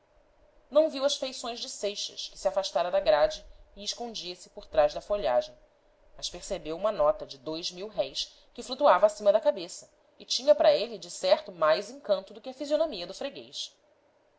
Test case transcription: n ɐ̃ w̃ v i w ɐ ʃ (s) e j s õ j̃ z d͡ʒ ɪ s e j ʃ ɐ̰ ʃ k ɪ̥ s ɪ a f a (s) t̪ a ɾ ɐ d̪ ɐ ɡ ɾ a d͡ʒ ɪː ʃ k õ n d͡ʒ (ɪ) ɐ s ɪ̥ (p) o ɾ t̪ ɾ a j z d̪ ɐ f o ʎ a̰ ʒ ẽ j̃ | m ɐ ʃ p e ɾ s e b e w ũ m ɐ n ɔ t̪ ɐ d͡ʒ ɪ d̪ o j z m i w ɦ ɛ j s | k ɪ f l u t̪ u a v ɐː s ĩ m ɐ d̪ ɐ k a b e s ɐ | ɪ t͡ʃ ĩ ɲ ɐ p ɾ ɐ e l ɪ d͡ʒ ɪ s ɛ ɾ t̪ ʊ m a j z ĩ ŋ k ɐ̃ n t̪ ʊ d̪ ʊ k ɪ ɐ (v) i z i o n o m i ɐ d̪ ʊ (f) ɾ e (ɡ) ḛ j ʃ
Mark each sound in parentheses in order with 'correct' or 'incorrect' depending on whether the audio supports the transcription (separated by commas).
incorrect, incorrect, incorrect, correct, incorrect, correct, correct